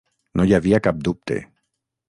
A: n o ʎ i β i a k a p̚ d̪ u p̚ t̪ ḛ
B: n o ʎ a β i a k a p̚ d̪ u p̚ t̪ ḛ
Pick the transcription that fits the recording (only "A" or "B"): B